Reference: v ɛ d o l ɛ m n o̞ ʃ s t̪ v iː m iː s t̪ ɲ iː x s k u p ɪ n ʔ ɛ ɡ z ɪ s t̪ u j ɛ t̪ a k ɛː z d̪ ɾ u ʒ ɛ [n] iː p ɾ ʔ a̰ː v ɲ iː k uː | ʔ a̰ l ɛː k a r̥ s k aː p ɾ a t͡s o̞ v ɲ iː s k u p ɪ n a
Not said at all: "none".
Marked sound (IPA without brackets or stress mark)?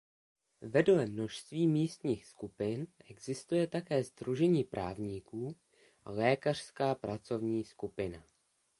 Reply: ɲ